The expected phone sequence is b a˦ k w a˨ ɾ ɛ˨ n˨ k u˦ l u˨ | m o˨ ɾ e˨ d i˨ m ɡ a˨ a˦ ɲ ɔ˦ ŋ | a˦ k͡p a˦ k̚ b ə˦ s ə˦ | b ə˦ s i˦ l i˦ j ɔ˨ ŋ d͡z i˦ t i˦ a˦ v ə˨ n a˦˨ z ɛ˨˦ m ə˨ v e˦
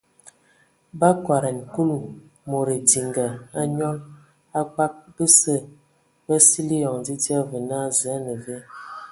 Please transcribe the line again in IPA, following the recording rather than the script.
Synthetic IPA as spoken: b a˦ k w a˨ ɾ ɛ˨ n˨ k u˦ l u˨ | m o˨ ɾ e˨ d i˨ ŋ ɡ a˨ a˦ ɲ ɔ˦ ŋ | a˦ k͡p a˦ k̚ b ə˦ s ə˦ | b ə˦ s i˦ l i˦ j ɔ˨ ŋ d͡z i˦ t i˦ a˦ v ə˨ n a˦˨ z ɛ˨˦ n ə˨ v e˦

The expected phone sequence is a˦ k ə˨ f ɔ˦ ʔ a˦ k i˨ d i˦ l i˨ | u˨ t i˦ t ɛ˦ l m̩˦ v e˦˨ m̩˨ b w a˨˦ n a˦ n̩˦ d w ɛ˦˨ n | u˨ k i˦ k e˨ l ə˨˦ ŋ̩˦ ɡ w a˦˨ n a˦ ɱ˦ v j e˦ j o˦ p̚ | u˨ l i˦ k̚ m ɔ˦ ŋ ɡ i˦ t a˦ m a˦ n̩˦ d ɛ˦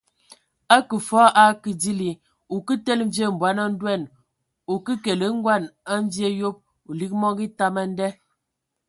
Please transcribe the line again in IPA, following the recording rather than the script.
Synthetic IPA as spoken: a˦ k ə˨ f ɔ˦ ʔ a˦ k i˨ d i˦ l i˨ | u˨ k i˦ t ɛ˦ l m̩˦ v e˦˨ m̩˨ b w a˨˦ n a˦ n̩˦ d w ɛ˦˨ n | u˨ k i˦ k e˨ l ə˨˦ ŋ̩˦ ɡ w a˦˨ n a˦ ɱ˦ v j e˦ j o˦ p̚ | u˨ l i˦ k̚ m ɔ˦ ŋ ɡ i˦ t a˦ m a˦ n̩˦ d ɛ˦

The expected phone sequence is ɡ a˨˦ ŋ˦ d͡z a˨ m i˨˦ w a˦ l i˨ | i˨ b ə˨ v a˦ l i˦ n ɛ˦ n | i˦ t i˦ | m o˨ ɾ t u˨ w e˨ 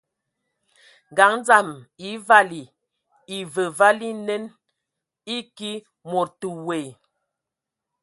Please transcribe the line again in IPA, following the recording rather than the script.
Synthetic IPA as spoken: ɡ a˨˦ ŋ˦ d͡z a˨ m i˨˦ v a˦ l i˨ | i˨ v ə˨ v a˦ l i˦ n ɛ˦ n | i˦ k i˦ | m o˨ ɾ t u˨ w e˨

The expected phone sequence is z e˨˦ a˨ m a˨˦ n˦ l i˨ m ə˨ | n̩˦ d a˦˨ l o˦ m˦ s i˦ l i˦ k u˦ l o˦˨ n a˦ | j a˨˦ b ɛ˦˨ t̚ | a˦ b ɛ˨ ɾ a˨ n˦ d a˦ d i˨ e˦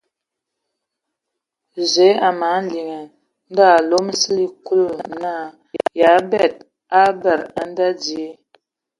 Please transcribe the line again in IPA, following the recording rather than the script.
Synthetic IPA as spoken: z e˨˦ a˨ m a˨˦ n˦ l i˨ ŋ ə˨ | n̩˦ d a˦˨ l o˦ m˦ s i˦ l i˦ k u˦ l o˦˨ n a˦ | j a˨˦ b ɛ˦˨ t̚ | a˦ b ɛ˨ ɾ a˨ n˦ d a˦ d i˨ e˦

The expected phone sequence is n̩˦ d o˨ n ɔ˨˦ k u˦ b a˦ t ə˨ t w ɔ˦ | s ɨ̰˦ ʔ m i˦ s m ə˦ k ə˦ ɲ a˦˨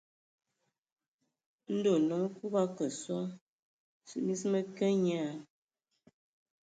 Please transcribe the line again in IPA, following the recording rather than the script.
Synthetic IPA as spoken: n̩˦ d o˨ n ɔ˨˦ k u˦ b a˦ k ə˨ s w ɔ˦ | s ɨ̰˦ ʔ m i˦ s m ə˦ k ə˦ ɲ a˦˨

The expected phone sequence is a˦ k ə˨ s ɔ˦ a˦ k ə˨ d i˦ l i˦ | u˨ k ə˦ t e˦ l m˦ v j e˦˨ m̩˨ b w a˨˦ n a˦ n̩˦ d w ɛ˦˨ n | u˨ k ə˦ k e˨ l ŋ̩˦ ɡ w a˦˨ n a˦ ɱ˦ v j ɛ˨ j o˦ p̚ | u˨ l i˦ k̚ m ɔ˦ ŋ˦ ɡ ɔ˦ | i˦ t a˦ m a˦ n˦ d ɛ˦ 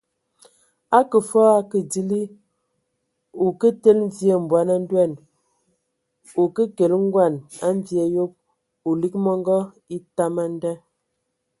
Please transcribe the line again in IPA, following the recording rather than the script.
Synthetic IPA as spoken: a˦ k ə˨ f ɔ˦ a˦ k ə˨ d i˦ l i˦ | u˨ k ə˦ t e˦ l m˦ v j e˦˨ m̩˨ b w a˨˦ n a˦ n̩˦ d w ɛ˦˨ n | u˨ k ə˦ k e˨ l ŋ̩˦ ɡ w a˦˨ n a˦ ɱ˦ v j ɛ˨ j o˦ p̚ | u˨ l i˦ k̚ m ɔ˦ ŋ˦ ɡ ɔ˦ | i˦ t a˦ m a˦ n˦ d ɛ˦

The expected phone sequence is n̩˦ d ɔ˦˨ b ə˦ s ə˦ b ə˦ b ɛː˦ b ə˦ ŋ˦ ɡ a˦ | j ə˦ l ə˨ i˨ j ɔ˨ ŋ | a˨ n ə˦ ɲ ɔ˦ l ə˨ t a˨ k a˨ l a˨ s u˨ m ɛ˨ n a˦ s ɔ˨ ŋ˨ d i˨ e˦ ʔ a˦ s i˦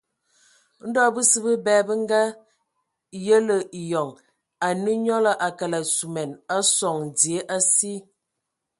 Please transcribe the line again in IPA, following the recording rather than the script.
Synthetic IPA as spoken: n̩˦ d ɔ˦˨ b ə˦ s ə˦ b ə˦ b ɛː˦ b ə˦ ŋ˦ ɡ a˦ | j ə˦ l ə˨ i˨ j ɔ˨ ŋ | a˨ n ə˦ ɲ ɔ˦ l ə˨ ʔ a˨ k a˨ l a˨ s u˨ m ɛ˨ n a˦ s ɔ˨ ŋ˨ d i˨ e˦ ʔ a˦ s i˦

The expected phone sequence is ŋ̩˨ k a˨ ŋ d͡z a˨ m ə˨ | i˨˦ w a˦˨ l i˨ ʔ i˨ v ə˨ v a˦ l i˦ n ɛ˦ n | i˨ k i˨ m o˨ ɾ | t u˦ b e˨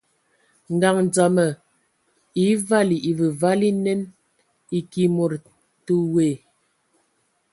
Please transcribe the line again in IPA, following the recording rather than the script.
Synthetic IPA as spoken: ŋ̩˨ ɡ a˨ ŋ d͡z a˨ m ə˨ | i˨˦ v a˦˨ l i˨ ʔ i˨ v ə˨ v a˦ l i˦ n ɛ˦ n | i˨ k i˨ m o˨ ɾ | t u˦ w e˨

